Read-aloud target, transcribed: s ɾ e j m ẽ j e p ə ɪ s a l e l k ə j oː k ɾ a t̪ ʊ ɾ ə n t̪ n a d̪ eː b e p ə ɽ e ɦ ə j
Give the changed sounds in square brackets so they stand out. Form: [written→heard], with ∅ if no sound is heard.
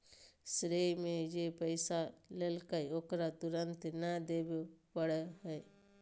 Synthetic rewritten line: s ɾ e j m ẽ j e p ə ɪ s a l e l k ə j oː k ɾ a t̪ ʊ ɾ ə n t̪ n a d̪ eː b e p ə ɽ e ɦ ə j

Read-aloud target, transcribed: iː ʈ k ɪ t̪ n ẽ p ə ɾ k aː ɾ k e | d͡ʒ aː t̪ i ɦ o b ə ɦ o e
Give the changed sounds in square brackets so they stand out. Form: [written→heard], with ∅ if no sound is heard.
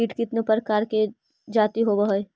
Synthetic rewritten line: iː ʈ k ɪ t̪ n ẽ p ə ɾ k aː ɾ k e | d͡ʒ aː t̪ i ɦ o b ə ɦ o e

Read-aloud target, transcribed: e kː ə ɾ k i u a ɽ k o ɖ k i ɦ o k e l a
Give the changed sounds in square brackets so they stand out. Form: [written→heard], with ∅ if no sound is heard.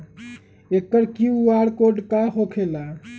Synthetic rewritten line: e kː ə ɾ k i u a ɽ k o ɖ k [i→a] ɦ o [k→kʰ] e l a

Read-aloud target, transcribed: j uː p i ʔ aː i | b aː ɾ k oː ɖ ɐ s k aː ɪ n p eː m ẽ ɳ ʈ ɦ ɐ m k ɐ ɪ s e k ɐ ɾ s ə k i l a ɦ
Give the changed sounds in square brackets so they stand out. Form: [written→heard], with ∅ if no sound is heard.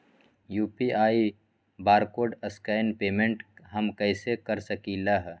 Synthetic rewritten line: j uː p i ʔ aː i | b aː ɾ k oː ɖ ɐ s k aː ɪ n p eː m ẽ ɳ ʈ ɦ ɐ m k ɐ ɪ s e k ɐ ɾ s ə k i l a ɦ

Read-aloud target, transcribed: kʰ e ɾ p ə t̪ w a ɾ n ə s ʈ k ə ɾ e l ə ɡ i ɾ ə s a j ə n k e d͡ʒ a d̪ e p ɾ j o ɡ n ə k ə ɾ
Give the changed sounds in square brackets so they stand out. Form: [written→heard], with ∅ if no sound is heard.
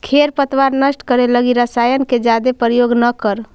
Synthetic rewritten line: kʰ e ɾ p ə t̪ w a ɾ n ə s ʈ k ə ɾ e l ə ɡ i ɾ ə s a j ə n k e d͡ʒ a d̪ e p ɾ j o ɡ n ə k ə ɾ

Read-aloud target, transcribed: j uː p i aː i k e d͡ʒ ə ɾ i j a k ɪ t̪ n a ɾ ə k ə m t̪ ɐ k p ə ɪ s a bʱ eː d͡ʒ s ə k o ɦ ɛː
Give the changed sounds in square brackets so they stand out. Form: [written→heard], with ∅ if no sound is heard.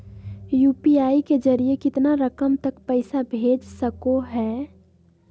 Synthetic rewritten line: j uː p i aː i k e d͡ʒ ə ɾ i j [a→e] k ɪ t̪ n a ɾ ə k ə m t̪ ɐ k p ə ɪ s a bʱ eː d͡ʒ s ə k o ɦ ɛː

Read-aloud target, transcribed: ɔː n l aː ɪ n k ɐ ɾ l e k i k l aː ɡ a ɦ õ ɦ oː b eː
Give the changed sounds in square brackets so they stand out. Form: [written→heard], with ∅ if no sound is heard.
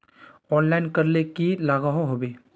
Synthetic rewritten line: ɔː n l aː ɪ n k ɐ ɾ l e k i [k→∅] l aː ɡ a ɦ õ ɦ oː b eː

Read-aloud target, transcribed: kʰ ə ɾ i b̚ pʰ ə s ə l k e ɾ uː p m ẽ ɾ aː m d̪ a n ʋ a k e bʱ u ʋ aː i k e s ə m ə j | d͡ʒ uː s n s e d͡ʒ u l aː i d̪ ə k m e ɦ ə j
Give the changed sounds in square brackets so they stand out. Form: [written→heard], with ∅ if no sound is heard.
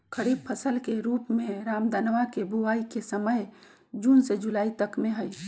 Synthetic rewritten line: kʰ ə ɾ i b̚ pʰ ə s ə l k e ɾ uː p m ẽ ɾ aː m d̪ a n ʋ a k e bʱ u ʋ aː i k e s ə m ə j | d͡ʒ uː [s→∅] n s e d͡ʒ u l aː i [d̪→t̪] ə k m e ɦ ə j

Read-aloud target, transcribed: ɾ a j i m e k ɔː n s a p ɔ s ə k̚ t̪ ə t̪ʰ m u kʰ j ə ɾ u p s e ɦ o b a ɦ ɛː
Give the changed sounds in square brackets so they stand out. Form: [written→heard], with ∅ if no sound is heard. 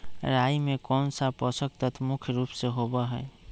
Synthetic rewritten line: ɾ a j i m e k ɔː n s a p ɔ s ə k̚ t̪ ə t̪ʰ m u kʰ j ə ɾ u p s e ɦ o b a ɦ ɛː

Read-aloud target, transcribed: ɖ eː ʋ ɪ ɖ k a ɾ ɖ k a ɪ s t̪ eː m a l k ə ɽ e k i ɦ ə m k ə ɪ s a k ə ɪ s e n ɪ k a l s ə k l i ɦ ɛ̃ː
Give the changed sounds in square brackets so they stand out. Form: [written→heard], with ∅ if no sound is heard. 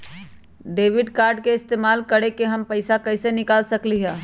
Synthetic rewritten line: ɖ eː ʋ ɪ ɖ k a ɾ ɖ k [a→e] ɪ s t̪ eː m a l k ə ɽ e k [i→e] ɦ ə m [k→p] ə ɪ s a k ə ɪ s e n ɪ k a l s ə k l i ɦ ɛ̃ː

